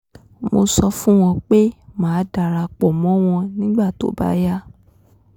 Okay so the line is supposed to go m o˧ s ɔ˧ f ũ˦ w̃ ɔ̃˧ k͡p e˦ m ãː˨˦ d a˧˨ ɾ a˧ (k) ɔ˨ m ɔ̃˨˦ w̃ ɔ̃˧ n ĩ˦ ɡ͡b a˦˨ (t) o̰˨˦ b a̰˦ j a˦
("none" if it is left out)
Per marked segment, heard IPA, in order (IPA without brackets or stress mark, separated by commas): k͡p, t